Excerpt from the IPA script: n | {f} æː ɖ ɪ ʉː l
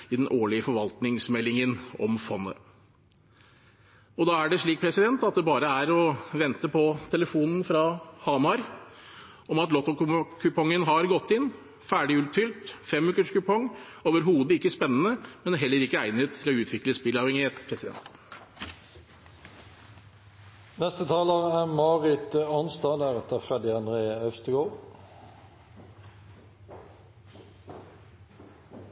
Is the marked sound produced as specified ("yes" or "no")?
yes